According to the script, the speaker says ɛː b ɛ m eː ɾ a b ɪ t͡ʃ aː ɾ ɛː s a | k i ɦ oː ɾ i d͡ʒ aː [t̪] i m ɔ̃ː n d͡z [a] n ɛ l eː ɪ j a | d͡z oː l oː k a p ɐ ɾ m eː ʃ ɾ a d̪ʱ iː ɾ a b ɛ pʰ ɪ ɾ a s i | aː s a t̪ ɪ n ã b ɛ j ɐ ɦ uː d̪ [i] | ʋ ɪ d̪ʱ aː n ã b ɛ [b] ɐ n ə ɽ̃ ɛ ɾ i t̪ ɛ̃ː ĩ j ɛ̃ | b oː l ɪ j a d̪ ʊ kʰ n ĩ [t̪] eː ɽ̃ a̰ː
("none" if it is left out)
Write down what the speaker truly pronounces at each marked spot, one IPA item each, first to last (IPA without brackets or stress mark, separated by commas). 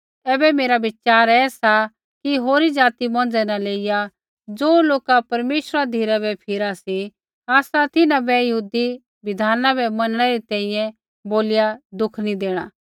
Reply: t̪, ɛ, i, m, d̪